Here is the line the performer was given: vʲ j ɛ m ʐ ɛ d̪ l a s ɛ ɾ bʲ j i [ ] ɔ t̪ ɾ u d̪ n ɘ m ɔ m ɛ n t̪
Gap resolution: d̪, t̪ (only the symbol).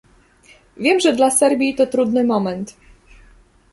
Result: t̪